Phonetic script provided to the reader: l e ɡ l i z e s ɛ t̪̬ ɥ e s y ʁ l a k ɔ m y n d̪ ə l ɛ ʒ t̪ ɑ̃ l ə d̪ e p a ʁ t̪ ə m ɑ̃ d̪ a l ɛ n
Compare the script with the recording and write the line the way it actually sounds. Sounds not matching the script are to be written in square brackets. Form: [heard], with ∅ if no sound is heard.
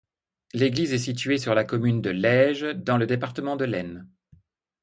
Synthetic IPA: l e ɡ l i z [ɛ] s [i] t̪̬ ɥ e s y ʁ l a k ɔ m y n d̪ ə l ɛ ʒ [d̪] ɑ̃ l ə d̪ e p a ʁ t̪ ə m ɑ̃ d̪ [ə] l ɛ n

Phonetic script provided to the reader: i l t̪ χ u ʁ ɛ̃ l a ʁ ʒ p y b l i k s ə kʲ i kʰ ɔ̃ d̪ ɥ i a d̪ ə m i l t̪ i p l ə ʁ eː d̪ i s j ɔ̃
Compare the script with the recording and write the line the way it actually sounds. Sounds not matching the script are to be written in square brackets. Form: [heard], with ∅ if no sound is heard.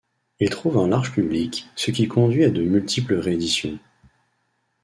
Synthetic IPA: i l t̪ χ u [v] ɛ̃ l a ʁ ʒ p y b l i k s ə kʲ i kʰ ɔ̃ d̪ ɥ i a d̪ ə m [y] l t̪ i p l ə ʁ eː d̪ i s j ɔ̃

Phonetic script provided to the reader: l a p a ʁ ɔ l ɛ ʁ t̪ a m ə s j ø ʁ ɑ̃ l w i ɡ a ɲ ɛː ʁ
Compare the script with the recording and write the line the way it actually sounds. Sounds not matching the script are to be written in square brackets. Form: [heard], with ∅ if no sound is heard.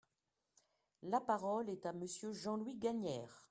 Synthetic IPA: l a p a ʁ ɔ l ɛ [∅] t̪ a m ə s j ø [ʒ] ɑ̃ l w i ɡ a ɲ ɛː ʁ

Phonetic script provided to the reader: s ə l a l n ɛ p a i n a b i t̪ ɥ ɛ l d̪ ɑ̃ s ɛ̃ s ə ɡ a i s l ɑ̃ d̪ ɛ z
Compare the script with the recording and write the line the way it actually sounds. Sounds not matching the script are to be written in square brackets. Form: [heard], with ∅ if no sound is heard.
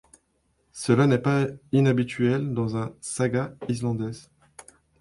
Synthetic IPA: s ə l a [∅] n ɛ p a i n a b i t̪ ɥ ɛ l d̪ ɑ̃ [z] ɛ̃ s [a] ɡ a i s l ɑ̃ d̪ ɛ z

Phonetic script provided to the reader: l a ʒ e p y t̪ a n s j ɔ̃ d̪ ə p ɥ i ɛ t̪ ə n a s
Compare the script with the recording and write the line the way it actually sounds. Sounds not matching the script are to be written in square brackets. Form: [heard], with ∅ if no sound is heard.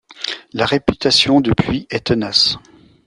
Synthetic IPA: l a [ʁ] e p y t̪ a [∅] s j ɔ̃ d̪ ə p ɥ i ɛ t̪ ə n a s

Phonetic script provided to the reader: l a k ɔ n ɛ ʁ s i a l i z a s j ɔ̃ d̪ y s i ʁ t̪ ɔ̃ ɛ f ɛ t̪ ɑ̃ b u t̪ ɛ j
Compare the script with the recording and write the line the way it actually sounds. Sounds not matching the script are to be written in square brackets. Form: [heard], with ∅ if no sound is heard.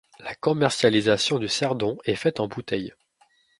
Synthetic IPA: l a k ɔ [m] ɛ ʁ s [j] a l i z a s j ɔ̃ d̪ y s [ɛ] ʁ [d̪] ɔ̃ ɛ f ɛ t̪ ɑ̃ b u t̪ ɛ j

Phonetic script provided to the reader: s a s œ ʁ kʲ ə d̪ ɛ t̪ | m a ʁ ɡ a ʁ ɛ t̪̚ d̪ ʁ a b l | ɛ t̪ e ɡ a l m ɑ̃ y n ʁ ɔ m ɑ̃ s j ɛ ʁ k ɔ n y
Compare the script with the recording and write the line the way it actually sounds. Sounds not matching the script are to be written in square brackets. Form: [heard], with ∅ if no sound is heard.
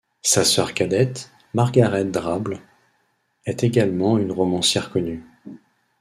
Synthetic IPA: s a s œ ʁ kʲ [a] d̪ ɛ t̪ | m a ʁ ɡ a ʁ ɛ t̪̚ d̪ ʁ a b l | ɛ t̪ e ɡ a l m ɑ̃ y n ʁ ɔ m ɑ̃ s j ɛ ʁ k ɔ n y

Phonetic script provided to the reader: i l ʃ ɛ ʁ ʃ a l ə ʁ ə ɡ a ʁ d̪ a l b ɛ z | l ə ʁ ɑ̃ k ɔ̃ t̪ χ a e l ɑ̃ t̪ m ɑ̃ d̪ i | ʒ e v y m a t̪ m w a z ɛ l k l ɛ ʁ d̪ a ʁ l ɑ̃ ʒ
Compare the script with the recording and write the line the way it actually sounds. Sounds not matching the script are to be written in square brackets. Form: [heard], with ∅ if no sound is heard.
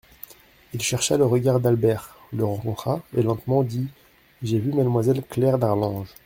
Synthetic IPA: i l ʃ ɛ ʁ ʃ a l ə ʁ ə ɡ a ʁ d̪ a l b ɛ [ʁ] | l ə ʁ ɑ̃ k ɔ̃ t̪ χ a e l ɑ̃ t̪ m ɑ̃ d̪ i | ʒ e v y m a [d̪] m w a z ɛ l k l ɛ ʁ d̪ a ʁ l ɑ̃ ʒ

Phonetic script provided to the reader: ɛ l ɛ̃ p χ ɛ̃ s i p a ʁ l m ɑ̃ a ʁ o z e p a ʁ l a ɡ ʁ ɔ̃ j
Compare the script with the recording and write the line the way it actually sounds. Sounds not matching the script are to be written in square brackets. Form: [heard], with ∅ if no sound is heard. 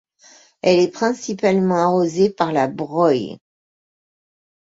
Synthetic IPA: ɛ l [ɛ] p χ ɛ̃ s i p a [∅] l m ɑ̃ a ʁ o z e p a ʁ l a [b] ʁ [ɔ] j

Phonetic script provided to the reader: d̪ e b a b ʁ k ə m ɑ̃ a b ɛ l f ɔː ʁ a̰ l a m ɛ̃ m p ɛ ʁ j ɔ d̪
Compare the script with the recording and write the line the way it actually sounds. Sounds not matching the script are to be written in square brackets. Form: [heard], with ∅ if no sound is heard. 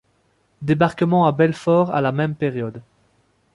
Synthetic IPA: d̪ e b a [∅] ʁ k ə m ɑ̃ a b ɛ l f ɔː ʁ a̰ l a m [ɛ] m p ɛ ʁ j ɔ d̪

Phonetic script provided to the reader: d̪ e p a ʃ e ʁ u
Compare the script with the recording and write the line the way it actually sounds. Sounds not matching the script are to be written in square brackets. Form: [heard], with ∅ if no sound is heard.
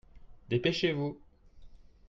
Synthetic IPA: d̪ e p [e] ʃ e [v] u

